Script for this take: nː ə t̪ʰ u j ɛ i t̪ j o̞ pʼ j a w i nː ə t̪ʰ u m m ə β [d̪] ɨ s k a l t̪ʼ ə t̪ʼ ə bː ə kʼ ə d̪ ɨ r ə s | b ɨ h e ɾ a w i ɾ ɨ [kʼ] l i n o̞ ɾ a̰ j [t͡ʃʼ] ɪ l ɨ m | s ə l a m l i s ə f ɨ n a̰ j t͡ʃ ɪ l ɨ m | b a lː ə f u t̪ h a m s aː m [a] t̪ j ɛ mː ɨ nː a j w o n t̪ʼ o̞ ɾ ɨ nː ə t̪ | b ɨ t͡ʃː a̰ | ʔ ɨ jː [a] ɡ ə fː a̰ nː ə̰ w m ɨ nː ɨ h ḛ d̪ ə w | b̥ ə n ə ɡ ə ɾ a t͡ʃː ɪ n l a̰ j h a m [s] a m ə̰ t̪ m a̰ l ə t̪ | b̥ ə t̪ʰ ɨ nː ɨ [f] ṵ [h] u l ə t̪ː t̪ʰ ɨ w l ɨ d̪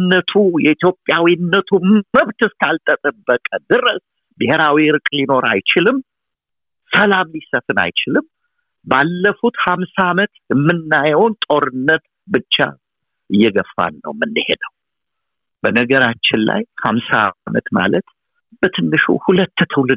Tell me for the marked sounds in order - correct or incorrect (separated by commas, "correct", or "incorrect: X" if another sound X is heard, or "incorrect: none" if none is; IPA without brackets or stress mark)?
incorrect: t̪, correct, incorrect: t͡ʃ, incorrect: ə, incorrect: ɛ, correct, incorrect: ʃ, correct